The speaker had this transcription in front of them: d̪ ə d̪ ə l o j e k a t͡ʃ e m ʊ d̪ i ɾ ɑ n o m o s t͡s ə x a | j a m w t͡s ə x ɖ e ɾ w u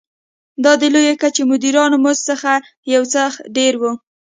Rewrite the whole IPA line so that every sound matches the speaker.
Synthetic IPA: d̪ ɑ d̪ ə l o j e k a t͡ʃ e m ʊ d̪ i ɾ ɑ n o m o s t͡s ə x a | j a w t͡s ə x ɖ e ɾ w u